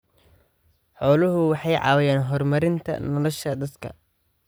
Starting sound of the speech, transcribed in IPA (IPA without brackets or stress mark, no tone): ħ